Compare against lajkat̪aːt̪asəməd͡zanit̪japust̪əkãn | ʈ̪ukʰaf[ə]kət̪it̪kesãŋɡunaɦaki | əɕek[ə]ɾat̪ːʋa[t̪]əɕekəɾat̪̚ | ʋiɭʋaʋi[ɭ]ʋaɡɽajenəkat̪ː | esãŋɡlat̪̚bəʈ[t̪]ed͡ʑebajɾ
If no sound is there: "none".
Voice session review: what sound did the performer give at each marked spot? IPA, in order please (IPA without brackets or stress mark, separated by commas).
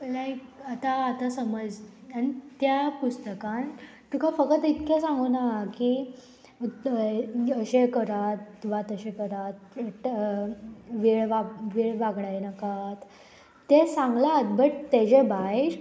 ə, ə, t̪, ɭ, t̪